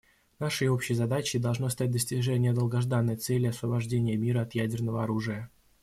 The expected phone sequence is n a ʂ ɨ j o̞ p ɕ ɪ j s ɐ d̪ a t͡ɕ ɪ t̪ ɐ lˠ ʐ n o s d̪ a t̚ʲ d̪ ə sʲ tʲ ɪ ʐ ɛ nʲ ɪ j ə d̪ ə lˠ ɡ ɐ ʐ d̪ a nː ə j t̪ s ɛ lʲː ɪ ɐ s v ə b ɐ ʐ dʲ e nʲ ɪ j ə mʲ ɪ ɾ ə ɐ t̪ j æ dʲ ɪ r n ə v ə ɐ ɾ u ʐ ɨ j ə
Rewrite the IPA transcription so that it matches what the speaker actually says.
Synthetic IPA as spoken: n a ʂ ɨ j o̞ p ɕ ɪ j z ɐ d̪ a t͡ɕ ɪ d̪ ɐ lˠ ʐ n o s t̪ a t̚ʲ d̪ ə sʲ tʲ ɪ ʐ ɛ nʲ ɪ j ə d̪ ə lˠ ɡ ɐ ʐ d̪ a nː ə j t̪ s ɛ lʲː ɪ ɐ s v ə b ɐ ʐ dʲ e nʲ ɪ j ə mʲ i ɾ ə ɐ t̪ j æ dʲ ɪ r n ə v ə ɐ ɾ u ʐ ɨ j ə